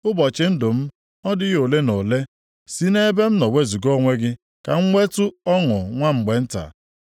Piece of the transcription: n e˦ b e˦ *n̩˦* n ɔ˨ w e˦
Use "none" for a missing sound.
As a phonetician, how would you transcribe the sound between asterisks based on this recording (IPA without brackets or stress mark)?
m̩˦